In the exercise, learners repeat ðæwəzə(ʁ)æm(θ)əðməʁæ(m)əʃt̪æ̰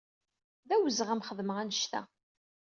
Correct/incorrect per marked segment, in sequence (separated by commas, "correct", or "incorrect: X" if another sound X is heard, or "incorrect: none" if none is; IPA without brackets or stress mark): correct, incorrect: χ, incorrect: n